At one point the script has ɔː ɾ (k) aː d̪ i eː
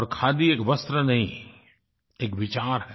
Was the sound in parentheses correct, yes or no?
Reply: no